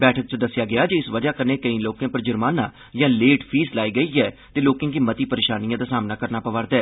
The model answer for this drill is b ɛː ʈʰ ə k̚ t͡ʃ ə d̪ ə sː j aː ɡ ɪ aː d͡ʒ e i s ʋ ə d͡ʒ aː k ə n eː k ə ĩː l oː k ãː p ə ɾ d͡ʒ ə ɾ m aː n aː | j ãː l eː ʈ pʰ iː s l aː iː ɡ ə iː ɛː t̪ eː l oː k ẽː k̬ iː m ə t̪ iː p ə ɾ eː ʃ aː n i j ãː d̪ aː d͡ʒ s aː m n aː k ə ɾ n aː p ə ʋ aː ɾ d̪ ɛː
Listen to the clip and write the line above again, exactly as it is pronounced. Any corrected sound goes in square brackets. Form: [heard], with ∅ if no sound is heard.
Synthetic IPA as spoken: b ɛː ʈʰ ə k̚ t͡ʃ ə d̪ ə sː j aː ɡ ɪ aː d͡ʒ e [ɪ] s ʋ ə d͡ʒ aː k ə n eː k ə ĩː l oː k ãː p ə ɾ d͡ʒ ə ɾ m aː n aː | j ãː l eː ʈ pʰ iː s l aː iː ɡ ə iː ɛː t̪ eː l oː k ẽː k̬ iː m ə t̪ iː p ə ɾ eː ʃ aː n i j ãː d̪ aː [∅] s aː m n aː k ə ɾ n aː p ə ʋ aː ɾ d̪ ɛː

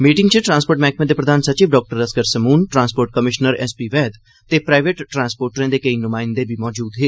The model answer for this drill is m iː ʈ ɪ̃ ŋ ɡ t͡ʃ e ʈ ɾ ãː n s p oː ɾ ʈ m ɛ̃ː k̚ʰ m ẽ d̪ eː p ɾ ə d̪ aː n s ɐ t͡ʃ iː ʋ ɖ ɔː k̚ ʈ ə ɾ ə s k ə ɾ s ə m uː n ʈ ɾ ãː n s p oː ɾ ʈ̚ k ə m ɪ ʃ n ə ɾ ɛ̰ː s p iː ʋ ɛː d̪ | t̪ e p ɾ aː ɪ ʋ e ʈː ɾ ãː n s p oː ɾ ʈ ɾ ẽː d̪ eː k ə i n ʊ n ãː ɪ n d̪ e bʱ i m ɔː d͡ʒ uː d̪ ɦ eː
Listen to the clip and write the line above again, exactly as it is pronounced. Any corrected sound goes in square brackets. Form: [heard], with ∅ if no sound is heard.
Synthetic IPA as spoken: m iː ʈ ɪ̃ ŋ ɡ t͡ʃ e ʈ ɾ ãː n s p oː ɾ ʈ m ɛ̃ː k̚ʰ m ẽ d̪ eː p ɾ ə d̪ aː n s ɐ t͡ʃ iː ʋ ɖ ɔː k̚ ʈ ə ɾ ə s k ə ɾ s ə m uː n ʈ ɾ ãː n s p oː ɾ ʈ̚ k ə m ɪ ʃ n ə ɾ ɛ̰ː s p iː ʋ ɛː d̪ | t̪ e p ɾ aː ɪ ʋ e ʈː ɾ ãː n s p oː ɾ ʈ ɾ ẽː d̪ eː k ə i n ʊ [m] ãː ɪ n d̪ e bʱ i m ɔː d͡ʒ uː d̪ ɦ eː

